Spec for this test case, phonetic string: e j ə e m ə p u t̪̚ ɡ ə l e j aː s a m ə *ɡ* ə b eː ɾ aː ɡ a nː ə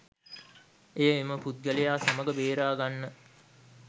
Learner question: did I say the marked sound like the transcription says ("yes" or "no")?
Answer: yes